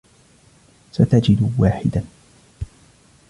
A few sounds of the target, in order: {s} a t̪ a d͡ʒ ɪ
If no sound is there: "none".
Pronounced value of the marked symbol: s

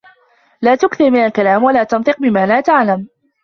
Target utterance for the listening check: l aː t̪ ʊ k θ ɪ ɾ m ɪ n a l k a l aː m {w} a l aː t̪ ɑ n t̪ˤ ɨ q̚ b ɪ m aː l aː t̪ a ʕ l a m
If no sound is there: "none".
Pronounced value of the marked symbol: w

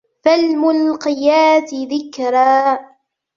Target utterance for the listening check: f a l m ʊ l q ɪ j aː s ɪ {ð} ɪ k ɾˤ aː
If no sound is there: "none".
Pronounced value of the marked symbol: ð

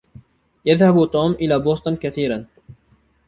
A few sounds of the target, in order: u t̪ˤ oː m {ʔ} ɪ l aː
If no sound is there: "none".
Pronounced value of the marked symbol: ʔ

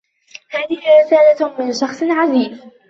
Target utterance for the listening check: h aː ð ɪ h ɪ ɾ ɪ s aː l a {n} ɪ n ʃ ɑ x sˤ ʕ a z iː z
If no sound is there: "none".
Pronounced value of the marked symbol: m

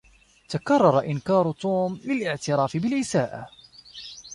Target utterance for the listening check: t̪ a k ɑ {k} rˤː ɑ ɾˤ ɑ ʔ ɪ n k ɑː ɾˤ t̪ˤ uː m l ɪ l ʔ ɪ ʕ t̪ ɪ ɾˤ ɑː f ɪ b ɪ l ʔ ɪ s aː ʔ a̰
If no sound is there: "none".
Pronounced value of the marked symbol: none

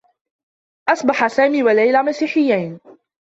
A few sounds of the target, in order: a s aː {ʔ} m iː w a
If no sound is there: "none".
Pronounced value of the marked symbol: none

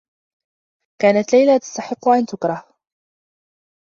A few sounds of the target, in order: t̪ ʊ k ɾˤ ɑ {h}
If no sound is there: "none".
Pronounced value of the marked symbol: h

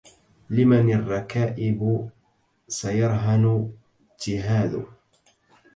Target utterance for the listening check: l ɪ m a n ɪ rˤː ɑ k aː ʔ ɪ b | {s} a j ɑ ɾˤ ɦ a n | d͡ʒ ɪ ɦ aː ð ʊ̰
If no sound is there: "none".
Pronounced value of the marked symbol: s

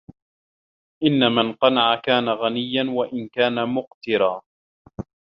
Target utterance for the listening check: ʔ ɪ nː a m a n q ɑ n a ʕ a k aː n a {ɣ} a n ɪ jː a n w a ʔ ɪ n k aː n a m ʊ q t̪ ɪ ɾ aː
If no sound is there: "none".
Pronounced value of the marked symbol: ɣ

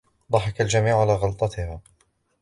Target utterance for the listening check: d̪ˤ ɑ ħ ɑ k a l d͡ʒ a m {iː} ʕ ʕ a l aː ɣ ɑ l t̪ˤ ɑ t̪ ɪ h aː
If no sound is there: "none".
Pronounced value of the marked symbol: iː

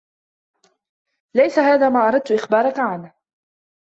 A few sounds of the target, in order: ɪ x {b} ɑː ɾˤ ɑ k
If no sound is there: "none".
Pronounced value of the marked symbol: b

